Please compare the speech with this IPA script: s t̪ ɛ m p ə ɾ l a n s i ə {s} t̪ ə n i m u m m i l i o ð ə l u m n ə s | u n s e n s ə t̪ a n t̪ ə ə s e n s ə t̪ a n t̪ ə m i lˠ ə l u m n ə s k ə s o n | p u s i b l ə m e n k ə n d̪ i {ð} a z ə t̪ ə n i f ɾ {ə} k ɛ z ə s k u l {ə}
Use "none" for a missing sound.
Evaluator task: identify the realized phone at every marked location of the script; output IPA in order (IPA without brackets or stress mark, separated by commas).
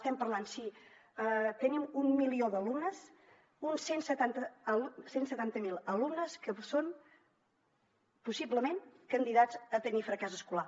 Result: none, ð, ə, a